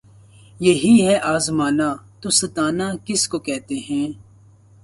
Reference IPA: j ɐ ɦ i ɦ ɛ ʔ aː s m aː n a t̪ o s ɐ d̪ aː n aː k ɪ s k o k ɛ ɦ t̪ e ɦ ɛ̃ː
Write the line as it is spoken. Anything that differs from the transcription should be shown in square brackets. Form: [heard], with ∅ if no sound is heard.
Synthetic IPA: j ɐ ɦ i ɦ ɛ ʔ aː [z] m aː n a t̪ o s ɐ [t̪] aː n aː k ɪ s k o k ɛ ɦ t̪ e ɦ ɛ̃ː